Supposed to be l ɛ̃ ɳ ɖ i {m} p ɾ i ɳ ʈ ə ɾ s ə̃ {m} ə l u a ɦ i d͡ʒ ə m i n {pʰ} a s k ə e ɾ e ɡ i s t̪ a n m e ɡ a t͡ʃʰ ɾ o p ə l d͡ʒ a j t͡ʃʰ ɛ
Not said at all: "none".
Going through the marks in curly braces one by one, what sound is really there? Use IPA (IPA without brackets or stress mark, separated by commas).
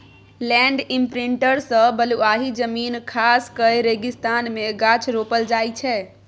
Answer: m, b, kʰ